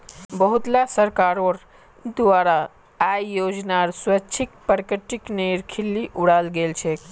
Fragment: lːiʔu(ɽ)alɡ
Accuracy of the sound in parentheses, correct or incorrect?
correct